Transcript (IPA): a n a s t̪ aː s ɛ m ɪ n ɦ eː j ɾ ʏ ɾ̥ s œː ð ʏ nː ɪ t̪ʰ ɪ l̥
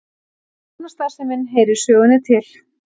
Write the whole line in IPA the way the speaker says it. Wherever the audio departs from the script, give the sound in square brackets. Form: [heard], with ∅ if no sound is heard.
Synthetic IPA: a n a s t̪ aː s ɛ m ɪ n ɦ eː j ɾ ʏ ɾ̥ s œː [ɣ] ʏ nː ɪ t̪ʰ ɪ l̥

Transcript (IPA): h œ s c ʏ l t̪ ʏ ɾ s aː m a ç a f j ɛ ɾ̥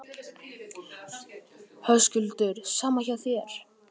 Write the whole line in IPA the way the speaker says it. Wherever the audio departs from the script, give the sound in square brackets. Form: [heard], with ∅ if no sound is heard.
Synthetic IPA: h œ s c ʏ l t̪ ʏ ɾ s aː m a ç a [θ] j ɛ ɾ̥

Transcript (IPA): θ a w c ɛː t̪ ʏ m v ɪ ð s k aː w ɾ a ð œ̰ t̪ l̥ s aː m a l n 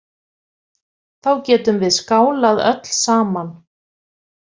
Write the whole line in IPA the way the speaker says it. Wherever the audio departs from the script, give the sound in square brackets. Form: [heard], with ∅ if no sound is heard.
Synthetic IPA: θ a w c ɛː t̪ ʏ m v ɪ ð s k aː w [l] a ð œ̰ t̪ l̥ s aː m a [∅] n

